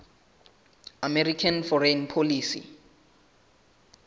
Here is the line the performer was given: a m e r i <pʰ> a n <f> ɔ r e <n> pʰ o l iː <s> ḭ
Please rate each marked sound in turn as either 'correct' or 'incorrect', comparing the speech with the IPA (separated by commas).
incorrect, correct, correct, correct